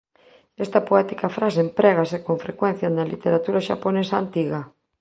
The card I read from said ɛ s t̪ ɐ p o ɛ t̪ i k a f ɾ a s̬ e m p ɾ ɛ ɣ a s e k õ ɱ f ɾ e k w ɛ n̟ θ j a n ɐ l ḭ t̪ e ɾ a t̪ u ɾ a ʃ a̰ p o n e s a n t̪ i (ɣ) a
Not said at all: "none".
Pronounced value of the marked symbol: ɣ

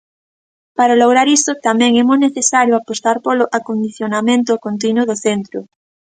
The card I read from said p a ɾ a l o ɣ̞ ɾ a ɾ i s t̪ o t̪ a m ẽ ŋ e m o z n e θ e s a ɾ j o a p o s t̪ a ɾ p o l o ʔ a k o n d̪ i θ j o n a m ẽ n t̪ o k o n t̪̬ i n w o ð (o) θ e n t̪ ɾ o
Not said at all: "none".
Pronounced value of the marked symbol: o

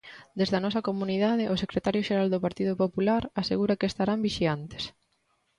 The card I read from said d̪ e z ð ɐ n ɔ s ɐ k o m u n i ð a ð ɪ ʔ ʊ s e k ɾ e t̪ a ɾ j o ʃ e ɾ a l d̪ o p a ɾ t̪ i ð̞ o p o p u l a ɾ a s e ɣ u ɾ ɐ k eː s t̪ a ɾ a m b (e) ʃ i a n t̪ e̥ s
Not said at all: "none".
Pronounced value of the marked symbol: i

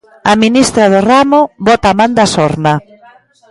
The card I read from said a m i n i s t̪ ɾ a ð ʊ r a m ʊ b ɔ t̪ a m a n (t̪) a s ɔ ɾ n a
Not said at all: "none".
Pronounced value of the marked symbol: d̪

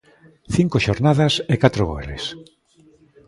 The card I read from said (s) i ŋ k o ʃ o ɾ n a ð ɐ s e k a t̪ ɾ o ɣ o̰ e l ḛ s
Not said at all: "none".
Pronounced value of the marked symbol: θ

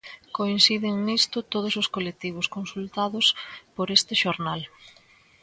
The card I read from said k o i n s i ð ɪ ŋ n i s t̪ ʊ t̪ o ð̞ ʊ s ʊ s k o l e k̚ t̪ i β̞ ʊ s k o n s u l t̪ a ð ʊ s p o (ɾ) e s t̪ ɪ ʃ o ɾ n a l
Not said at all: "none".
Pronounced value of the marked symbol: ɾ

